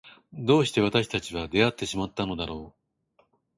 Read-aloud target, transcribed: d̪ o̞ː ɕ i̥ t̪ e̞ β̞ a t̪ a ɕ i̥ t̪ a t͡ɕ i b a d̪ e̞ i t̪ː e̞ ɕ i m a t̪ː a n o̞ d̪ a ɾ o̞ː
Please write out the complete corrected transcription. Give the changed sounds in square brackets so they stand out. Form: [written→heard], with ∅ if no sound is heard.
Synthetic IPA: d̪ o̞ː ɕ i̥ t̪ e̞ β̞ a t̪ a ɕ i̥ t̪ a t͡ɕ i [b→β] a d̪ e̞ [i→a] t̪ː e̞ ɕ i m a t̪ː a n o̞ d̪ a ɾ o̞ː